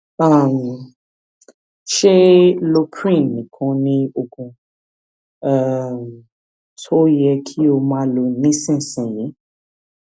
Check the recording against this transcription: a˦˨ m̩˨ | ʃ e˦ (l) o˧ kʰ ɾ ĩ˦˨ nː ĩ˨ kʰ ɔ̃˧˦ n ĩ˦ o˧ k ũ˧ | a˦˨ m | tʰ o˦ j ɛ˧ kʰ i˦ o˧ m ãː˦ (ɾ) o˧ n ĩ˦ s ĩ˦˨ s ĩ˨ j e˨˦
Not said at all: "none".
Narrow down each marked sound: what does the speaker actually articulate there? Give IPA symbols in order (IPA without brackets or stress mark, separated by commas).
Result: l, l